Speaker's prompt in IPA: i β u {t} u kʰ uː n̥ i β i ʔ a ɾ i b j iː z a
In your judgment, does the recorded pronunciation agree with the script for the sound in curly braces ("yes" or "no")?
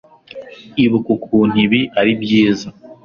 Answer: no